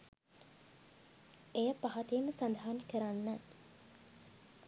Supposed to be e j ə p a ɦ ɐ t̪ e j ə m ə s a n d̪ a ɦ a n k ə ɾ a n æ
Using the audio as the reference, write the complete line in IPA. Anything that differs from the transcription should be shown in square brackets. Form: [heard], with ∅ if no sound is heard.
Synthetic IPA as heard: e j ə p a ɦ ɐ t̪ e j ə m ə s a n d̪ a ɦ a n k ə ɾ a [nː] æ